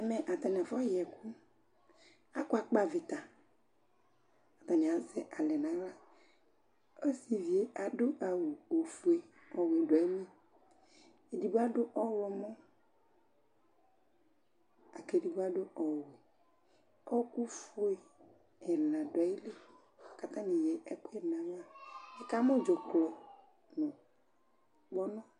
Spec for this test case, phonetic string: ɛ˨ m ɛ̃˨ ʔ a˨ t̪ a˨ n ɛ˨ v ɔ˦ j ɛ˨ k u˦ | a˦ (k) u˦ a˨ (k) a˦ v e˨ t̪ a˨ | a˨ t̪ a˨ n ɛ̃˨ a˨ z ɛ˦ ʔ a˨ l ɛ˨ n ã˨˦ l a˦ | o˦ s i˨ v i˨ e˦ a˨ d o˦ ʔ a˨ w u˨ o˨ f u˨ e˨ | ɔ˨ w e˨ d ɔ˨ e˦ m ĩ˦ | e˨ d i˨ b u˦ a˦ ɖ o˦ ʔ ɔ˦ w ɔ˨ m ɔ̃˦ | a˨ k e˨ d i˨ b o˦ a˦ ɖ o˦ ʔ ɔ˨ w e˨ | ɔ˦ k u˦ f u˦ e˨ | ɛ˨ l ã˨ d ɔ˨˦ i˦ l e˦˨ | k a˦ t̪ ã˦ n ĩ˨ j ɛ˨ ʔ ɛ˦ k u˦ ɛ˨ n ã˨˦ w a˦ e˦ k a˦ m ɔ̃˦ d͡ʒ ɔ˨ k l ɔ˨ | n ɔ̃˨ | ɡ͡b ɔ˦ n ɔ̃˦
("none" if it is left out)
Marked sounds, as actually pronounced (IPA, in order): k, k͡p

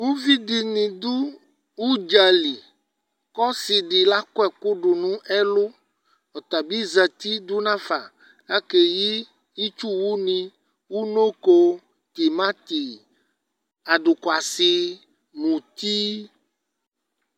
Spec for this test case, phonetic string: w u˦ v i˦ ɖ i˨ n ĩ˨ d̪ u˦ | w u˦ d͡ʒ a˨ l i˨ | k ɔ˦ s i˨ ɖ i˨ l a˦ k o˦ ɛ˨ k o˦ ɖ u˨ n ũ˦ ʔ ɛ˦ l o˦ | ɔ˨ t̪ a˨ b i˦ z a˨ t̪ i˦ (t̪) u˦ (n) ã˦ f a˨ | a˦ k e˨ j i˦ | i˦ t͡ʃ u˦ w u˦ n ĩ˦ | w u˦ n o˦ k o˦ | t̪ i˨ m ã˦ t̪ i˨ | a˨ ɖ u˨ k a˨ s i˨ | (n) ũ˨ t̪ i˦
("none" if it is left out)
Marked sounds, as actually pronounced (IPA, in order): d̪, n, m

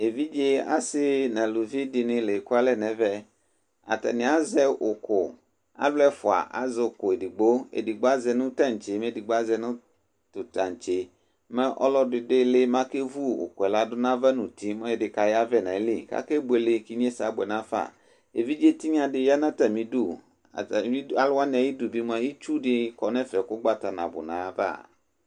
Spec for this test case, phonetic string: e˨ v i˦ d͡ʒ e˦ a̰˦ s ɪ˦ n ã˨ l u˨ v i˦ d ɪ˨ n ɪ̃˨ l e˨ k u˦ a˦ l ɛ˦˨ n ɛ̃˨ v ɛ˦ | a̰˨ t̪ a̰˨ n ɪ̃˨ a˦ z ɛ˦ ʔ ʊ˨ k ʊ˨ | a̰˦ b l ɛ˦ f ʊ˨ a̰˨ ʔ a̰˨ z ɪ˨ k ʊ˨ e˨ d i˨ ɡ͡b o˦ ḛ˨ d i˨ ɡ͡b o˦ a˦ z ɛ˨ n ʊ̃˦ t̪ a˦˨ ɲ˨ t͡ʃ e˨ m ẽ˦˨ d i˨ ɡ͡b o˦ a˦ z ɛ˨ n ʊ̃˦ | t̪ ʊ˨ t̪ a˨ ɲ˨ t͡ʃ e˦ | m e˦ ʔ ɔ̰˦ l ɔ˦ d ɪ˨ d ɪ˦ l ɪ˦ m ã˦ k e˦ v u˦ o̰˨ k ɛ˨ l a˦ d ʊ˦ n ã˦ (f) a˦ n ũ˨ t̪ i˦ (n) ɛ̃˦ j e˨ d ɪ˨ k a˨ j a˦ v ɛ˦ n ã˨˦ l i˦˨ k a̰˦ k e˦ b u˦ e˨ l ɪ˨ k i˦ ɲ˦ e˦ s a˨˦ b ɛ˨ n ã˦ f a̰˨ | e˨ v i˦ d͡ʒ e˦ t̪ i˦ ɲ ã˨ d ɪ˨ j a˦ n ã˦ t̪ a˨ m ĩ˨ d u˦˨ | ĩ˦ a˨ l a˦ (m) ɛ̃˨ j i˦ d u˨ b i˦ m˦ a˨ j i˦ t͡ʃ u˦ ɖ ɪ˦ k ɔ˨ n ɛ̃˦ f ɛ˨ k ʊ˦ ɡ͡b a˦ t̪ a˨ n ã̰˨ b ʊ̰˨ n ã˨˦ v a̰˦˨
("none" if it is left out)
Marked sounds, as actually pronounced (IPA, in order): v, m, n

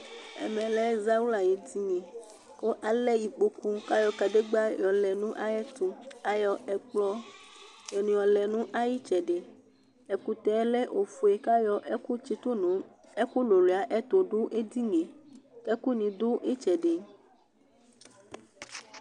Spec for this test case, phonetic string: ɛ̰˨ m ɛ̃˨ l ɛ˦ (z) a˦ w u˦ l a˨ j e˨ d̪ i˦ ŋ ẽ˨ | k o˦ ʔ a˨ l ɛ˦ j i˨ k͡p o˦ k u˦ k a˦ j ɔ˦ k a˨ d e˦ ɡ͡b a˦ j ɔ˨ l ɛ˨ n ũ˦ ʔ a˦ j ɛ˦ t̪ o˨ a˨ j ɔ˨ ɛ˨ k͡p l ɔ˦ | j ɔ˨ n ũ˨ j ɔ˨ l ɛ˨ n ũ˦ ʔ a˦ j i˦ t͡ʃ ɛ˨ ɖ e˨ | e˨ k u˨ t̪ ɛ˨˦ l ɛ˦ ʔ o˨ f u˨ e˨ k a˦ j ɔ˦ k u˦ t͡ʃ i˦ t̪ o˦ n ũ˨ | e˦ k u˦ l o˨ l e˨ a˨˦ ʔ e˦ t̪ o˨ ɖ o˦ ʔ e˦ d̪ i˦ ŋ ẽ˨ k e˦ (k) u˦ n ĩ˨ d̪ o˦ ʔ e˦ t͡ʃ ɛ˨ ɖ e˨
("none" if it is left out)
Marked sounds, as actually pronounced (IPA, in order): z, k

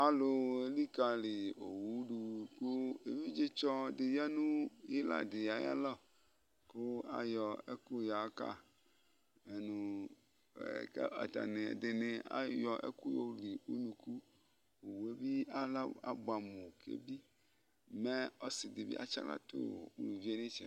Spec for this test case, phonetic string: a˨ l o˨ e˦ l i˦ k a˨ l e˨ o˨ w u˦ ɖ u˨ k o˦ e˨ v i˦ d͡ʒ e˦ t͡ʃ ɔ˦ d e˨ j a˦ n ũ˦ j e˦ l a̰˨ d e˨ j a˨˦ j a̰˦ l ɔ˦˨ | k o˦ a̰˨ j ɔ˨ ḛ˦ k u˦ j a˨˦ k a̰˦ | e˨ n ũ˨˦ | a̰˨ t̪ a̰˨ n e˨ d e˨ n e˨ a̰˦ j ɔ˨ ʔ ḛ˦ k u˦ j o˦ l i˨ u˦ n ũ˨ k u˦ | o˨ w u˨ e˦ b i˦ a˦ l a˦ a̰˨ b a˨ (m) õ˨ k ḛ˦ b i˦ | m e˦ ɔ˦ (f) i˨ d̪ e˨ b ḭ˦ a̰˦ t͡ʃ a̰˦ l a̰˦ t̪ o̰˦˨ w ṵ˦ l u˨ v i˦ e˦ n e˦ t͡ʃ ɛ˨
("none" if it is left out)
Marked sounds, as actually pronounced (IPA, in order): m, s

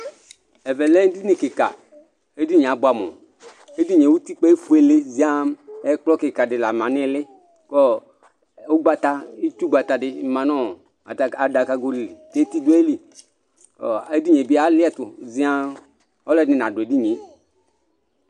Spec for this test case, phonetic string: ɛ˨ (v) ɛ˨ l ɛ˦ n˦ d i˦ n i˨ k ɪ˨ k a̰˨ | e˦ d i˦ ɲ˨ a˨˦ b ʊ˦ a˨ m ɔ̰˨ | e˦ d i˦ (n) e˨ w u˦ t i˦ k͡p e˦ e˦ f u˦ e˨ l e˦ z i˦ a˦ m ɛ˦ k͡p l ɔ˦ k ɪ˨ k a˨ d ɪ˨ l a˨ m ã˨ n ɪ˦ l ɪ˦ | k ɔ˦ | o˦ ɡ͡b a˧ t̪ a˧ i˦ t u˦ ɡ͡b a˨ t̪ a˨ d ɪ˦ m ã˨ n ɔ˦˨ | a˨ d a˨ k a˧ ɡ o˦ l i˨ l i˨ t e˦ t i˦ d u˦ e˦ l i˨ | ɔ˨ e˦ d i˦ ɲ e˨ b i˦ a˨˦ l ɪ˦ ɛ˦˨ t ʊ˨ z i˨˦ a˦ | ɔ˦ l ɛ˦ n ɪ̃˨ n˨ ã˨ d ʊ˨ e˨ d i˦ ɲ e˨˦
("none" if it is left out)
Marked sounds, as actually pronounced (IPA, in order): v, ɲ

